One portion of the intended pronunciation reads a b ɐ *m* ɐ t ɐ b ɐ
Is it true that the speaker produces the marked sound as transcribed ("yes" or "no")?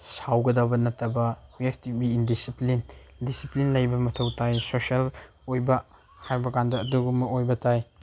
no